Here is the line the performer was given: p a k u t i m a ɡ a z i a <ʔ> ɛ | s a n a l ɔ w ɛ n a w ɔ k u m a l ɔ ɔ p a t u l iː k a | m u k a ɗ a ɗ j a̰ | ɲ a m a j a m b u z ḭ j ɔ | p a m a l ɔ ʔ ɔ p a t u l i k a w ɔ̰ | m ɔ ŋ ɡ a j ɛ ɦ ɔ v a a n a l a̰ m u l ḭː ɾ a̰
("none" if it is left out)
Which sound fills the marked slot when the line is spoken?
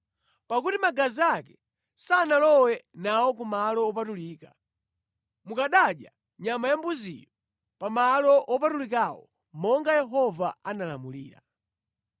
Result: k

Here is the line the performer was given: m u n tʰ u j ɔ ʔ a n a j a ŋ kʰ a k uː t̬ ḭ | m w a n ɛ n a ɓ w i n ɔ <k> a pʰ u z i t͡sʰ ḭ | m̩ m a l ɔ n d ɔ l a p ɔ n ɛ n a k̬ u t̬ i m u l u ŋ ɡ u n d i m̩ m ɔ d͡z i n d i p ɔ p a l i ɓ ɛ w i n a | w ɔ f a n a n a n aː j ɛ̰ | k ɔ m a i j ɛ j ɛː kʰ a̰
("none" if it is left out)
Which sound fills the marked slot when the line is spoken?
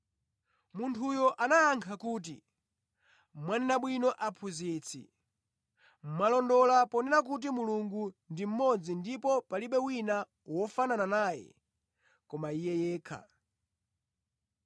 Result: ʔ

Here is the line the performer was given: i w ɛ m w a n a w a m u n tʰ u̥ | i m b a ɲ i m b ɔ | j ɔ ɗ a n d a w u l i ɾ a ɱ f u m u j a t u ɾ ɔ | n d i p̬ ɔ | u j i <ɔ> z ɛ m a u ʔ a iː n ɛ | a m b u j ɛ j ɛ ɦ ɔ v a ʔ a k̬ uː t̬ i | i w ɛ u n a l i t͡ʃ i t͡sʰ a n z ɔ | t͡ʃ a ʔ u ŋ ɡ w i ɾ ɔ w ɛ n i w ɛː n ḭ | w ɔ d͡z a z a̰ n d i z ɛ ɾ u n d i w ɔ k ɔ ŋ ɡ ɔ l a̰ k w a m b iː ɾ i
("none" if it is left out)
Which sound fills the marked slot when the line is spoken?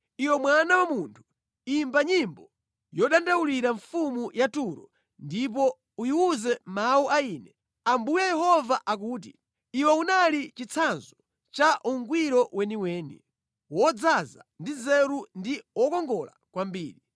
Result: u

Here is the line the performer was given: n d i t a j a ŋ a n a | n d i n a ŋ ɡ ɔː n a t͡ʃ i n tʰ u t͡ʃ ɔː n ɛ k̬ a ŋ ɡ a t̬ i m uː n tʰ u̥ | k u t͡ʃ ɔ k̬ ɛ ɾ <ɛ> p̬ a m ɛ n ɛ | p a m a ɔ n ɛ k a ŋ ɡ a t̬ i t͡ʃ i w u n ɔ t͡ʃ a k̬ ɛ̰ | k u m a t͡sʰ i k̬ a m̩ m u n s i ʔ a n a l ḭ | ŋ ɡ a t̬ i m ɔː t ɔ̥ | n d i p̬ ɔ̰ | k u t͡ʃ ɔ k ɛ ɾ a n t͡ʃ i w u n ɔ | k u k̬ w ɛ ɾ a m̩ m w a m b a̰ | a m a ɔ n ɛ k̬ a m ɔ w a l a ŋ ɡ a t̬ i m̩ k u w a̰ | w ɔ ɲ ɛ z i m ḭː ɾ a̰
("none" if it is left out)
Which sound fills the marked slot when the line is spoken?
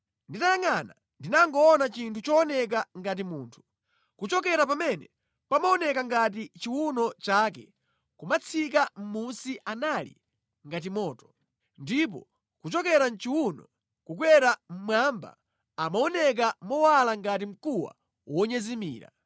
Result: a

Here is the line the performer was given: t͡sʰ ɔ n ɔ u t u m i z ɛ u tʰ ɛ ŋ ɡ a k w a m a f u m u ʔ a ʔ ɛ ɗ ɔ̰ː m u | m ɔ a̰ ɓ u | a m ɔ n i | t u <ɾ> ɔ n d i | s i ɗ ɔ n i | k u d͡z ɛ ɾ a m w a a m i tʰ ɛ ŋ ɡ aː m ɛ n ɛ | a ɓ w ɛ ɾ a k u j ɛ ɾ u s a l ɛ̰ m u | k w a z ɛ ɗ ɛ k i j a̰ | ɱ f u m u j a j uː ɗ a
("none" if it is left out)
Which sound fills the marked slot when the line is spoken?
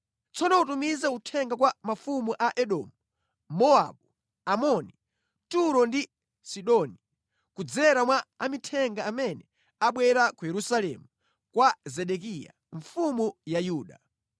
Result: ɾ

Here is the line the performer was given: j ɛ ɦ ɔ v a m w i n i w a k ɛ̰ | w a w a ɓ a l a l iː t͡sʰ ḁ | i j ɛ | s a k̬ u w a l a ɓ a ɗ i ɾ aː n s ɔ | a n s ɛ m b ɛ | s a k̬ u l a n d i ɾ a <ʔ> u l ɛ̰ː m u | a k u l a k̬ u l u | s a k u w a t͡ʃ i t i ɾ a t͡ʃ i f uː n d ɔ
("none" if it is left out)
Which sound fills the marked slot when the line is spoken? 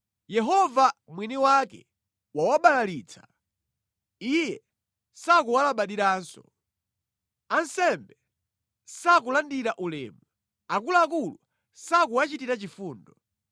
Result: ʔ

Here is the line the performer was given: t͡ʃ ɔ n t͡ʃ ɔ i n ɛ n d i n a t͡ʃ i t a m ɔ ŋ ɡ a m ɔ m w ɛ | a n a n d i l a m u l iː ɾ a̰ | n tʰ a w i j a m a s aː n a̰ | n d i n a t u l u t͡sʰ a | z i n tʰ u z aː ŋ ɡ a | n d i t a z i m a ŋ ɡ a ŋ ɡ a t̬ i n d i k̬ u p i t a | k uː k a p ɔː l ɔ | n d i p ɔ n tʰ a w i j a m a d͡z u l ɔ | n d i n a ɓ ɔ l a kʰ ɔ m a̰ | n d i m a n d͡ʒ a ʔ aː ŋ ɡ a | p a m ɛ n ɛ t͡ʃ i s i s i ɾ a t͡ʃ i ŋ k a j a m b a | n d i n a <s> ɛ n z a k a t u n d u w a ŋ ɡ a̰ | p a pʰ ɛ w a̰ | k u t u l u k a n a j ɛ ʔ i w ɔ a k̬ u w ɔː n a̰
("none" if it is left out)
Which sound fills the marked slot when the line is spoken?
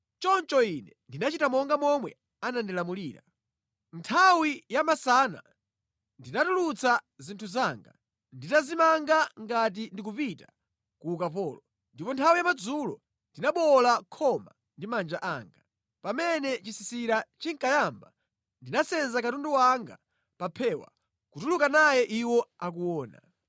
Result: s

